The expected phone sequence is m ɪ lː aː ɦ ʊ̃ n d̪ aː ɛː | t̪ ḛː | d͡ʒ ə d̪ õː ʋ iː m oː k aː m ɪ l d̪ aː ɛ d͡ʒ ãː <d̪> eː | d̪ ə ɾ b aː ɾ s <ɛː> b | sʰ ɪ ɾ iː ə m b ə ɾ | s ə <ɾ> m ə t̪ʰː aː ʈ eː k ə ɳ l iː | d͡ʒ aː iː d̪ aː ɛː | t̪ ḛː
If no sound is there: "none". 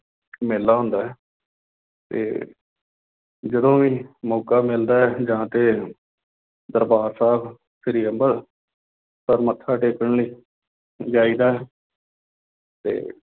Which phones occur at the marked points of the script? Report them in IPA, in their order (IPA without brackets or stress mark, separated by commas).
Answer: t̪, aː, ɾ